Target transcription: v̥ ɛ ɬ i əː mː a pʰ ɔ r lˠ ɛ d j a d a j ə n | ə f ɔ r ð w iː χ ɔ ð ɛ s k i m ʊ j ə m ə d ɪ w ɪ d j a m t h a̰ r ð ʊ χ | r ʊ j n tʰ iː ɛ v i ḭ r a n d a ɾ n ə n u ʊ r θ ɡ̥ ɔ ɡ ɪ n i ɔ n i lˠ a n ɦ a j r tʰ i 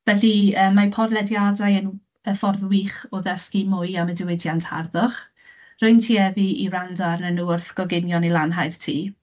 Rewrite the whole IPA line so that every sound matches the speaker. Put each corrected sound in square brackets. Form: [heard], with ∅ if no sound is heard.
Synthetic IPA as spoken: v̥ ɛ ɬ i əː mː a pʰ ɔ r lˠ ɛ d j a d a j ə n | ə f ɔ r ð w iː χ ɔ ð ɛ s k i m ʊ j [a] m ə d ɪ w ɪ d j a [n] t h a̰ r ð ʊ χ | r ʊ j n tʰ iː ɛ v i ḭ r a n d a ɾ n ə n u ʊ r θ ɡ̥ ɔ ɡ ɪ n [j] ɔ n i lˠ a n ɦ a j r tʰ [iː]